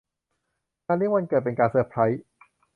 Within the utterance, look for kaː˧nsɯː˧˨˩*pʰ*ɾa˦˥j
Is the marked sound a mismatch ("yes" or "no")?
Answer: no